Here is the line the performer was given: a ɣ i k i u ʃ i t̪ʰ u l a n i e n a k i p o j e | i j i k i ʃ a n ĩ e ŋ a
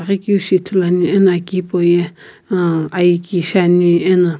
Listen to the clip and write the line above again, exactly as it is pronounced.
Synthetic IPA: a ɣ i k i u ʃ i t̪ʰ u l a n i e n a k i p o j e | a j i k i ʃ a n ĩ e n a